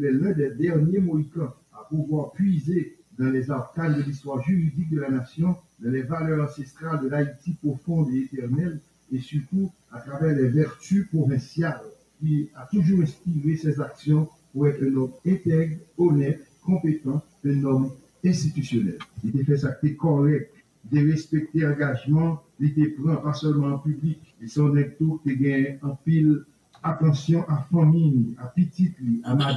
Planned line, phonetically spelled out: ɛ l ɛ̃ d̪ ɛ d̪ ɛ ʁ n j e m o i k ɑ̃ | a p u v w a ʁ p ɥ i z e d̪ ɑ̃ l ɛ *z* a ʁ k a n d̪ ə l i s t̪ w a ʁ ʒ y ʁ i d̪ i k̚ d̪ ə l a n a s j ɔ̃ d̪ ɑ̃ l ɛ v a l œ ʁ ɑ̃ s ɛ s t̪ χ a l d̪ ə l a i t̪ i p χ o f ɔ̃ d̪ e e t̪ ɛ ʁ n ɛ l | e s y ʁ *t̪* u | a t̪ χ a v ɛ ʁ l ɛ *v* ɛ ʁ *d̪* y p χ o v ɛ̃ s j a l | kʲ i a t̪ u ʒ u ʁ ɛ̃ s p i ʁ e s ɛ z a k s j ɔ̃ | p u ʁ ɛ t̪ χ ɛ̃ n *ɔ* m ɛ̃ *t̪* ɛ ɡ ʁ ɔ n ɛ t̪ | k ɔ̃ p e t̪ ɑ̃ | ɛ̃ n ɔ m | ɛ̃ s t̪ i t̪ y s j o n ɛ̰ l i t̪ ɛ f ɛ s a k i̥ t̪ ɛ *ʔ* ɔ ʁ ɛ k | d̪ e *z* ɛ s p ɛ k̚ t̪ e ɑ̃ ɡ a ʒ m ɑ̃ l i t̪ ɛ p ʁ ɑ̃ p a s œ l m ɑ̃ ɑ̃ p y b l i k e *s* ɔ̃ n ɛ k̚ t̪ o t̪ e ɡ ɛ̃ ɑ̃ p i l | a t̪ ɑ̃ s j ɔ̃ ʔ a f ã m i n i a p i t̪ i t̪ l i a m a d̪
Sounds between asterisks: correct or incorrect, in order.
correct, correct, correct, incorrect: t̪, correct, correct, incorrect: k, incorrect: ʁ, correct

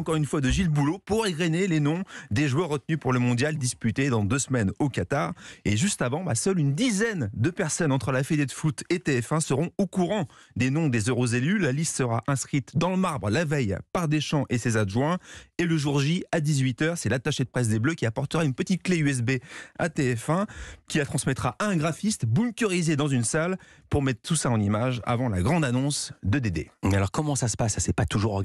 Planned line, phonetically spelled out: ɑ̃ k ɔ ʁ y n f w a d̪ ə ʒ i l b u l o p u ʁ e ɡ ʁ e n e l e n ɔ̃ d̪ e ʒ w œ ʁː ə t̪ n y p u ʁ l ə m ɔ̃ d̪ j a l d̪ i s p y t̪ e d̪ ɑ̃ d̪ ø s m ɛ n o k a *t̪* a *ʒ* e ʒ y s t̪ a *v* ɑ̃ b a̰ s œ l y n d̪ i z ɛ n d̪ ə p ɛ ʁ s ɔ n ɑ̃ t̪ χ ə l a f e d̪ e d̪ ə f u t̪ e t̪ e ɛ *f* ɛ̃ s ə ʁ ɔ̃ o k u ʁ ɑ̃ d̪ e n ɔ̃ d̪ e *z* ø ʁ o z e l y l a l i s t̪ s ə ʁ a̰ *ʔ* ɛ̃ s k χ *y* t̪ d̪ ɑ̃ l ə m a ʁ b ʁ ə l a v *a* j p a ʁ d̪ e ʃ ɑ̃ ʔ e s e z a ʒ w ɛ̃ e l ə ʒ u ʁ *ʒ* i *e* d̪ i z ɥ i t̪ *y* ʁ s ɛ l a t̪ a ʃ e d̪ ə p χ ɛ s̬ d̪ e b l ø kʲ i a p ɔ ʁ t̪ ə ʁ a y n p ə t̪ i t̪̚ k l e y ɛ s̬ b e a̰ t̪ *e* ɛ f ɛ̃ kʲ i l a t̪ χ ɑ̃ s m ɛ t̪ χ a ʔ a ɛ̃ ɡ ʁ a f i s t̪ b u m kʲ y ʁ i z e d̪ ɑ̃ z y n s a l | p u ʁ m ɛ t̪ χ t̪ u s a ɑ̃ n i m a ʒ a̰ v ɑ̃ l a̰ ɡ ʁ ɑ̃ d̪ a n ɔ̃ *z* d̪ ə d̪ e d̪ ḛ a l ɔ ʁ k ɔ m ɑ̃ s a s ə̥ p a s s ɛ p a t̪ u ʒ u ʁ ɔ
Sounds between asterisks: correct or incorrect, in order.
correct, incorrect: ʁ, correct, correct, correct, correct, incorrect: i, incorrect: ɛ, correct, incorrect: a, incorrect: œ, correct, incorrect: s

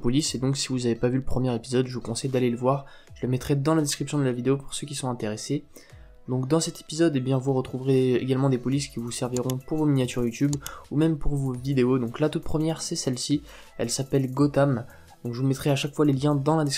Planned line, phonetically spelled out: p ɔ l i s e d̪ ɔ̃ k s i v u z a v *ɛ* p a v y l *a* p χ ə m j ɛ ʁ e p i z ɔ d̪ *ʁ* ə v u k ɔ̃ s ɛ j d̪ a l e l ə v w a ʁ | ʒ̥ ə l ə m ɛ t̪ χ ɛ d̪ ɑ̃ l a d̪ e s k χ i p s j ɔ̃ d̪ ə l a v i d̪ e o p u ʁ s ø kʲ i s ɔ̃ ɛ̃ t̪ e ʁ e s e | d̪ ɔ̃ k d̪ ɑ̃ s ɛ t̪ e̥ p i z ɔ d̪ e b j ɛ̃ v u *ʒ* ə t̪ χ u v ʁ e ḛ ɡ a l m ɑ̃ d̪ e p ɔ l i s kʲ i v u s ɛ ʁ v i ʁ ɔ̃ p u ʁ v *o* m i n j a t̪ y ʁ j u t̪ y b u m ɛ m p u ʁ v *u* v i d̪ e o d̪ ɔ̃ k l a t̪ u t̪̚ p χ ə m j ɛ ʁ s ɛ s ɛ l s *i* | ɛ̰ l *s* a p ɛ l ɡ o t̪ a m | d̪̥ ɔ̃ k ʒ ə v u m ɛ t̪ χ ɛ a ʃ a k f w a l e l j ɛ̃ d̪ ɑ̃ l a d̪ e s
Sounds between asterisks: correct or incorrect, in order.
incorrect: e, incorrect: ə, incorrect: ʒ, incorrect: ʁ, correct, incorrect: o, correct, correct

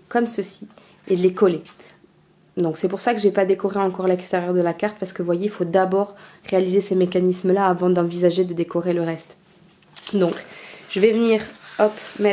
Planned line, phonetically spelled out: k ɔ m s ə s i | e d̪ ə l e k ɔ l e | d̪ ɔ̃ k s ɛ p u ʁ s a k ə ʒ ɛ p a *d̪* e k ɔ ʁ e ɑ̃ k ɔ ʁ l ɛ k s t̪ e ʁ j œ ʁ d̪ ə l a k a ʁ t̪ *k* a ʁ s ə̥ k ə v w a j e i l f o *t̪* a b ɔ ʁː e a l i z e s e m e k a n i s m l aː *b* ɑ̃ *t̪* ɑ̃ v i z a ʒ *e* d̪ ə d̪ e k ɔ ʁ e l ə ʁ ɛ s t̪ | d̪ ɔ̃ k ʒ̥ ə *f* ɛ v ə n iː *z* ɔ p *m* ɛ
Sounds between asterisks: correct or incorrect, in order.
correct, incorrect: p, incorrect: d̪, incorrect: v, incorrect: d̪, correct, incorrect: v, incorrect: ʁ, correct

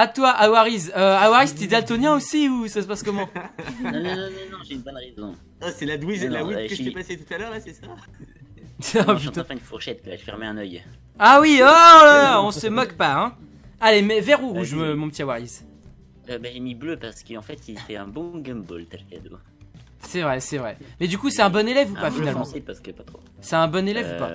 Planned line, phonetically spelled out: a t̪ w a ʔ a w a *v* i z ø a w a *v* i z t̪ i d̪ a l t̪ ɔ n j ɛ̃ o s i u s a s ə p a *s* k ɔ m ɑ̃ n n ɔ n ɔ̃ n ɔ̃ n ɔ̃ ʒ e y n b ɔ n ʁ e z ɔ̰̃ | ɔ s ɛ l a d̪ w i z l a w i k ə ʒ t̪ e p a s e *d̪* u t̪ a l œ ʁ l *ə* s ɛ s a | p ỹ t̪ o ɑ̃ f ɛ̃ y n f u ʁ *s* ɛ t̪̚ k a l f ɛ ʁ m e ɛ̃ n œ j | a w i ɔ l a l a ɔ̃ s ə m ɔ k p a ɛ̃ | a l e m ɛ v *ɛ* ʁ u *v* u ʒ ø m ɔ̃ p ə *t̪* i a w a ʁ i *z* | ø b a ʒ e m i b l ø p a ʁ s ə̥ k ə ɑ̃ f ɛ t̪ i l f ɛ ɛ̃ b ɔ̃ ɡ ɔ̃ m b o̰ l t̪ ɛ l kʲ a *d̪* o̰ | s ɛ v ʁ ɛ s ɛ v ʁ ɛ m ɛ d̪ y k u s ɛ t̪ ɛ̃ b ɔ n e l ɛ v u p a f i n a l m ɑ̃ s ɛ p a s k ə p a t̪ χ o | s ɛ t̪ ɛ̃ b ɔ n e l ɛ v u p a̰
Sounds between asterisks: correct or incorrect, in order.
incorrect: ʁ, incorrect: ʁ, correct, incorrect: t̪, incorrect: a, incorrect: ʃ, correct, incorrect: ʁ, correct, correct, correct

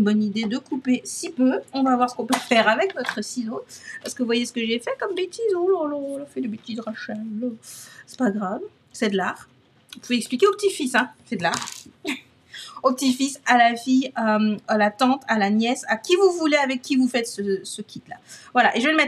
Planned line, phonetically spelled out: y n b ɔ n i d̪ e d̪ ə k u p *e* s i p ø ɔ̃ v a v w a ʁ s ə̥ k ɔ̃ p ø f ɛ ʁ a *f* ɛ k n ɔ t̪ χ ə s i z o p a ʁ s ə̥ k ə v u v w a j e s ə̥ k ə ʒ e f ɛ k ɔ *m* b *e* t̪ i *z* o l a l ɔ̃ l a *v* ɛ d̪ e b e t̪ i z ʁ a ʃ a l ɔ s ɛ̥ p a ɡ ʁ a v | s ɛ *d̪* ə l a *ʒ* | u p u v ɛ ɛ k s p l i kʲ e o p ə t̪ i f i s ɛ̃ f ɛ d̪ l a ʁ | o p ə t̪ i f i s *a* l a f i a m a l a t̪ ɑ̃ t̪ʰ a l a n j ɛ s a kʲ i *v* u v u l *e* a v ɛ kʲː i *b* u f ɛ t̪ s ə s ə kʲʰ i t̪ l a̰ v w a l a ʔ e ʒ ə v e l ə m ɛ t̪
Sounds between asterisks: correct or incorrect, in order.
correct, incorrect: v, correct, correct, correct, incorrect: f, correct, incorrect: ʁ, correct, correct, correct, incorrect: v

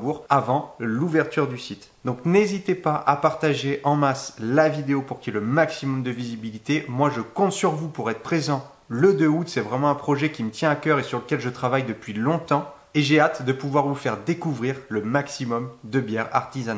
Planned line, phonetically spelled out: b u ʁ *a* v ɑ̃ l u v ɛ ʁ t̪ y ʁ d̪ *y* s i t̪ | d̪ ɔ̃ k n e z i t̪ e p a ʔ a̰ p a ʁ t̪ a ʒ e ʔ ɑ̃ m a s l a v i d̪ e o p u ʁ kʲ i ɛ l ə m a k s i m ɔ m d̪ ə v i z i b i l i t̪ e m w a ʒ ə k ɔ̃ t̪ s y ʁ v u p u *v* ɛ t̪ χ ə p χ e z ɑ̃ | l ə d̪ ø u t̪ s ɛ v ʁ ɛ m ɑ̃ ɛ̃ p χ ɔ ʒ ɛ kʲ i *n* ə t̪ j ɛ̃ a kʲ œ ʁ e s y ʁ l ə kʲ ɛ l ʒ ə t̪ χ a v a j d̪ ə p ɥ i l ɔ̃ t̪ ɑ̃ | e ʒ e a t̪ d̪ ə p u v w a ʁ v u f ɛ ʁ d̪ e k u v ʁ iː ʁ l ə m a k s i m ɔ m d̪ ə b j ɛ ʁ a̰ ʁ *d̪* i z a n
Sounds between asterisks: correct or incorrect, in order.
correct, correct, incorrect: ʁ, incorrect: m, incorrect: t̪

